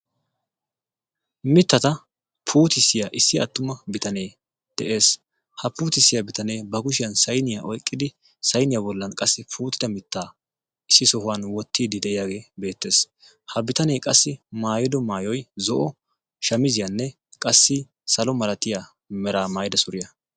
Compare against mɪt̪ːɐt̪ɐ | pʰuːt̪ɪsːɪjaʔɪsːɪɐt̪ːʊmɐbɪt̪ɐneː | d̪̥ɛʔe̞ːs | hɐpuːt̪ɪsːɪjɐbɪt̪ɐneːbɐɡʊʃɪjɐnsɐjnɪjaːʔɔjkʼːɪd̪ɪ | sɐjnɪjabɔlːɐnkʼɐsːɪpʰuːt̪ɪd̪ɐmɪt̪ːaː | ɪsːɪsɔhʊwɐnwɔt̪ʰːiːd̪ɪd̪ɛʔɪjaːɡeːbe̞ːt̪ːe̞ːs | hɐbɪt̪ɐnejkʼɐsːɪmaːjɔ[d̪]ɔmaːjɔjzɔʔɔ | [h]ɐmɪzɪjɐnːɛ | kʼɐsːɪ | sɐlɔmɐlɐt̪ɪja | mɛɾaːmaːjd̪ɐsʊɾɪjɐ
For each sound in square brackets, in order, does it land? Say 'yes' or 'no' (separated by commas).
yes, no